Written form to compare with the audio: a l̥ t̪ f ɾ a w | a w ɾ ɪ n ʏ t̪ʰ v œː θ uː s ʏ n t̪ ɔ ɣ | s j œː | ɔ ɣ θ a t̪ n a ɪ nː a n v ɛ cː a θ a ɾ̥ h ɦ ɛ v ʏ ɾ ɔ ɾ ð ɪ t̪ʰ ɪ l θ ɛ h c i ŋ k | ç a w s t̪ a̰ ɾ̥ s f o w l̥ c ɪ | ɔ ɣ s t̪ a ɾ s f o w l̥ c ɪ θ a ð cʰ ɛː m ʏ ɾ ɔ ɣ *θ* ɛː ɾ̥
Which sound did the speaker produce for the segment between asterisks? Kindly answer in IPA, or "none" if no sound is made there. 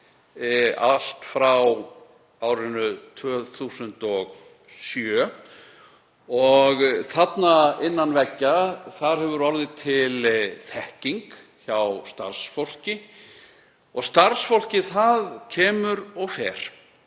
f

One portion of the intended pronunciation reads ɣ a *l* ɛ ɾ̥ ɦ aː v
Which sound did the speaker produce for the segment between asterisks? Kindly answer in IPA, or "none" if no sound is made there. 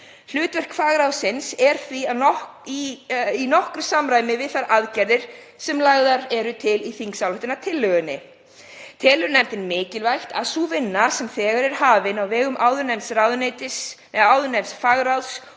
ɾ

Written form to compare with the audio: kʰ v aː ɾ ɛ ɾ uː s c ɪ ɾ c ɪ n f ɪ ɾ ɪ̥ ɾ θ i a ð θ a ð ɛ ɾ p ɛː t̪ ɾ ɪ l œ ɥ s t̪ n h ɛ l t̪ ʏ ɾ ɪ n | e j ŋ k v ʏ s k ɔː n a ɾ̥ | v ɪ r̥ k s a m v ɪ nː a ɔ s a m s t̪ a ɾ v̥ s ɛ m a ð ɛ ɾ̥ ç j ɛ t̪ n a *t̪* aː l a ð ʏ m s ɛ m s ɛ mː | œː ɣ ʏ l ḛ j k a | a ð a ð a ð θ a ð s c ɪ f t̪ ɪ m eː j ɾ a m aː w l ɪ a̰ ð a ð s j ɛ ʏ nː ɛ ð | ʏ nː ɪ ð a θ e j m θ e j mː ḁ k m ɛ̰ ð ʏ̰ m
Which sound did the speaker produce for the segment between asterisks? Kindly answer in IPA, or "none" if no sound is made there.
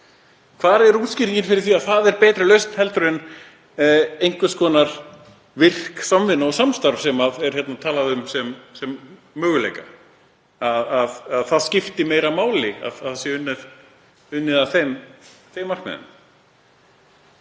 t̪ʰ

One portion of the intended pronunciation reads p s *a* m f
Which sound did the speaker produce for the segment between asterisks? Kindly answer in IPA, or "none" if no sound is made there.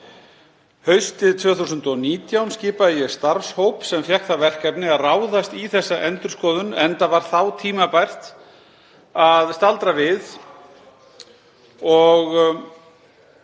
ɛ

